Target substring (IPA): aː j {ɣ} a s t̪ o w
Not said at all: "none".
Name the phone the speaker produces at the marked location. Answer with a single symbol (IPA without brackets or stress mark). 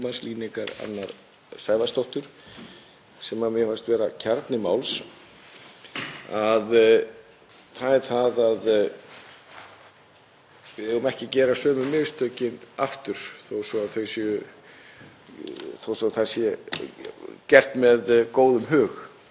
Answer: v